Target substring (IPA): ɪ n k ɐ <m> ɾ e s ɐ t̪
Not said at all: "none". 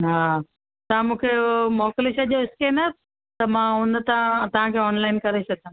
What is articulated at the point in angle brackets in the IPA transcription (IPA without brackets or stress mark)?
none